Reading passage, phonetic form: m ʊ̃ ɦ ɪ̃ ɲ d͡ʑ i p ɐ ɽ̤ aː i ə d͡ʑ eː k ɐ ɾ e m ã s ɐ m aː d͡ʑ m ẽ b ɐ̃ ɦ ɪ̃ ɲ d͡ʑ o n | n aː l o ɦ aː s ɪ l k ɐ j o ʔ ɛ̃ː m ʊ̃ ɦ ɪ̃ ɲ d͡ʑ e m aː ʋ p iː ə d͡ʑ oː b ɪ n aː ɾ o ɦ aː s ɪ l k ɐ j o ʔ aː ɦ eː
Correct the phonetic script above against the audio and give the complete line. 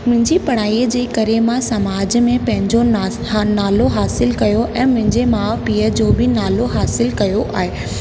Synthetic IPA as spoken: m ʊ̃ ɦ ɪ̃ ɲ d͡ʑ i p ɐ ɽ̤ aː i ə d͡ʑ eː k ɐ ɾ e m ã s ɐ m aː d͡ʑ m ẽ p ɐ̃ ɦ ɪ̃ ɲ d͡ʑ o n | n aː l o ɦ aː s ɪ l k ɐ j o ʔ ɛ̃ː m ʊ̃ ɦ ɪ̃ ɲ d͡ʑ e m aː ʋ p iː ə d͡ʑ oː b ɪ n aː l o ɦ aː s ɪ l k ɐ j o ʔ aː ɦ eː